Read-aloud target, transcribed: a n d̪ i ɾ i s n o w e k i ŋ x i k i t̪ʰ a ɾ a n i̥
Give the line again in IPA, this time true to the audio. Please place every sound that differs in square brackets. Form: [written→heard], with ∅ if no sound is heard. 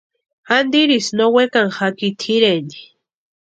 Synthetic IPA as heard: a n d̪ i ɾ i s n o w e k [i→a] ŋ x [i→a] k i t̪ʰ [a→i] ɾ [a→e] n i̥